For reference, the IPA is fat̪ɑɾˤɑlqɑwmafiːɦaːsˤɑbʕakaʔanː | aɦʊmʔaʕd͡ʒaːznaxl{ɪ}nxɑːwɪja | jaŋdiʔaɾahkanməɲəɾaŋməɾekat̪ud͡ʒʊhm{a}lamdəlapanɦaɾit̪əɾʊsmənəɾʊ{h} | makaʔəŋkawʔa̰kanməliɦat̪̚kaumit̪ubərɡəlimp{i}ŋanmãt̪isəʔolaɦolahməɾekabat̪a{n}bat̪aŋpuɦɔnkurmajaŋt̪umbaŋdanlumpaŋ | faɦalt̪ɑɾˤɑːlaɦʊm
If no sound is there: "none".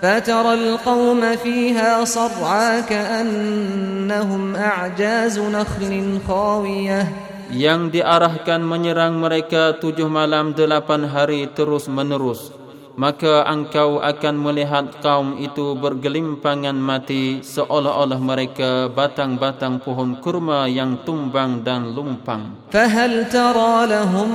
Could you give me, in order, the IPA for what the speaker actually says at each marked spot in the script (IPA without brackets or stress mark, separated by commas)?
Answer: ɪ, a, s, a, ŋ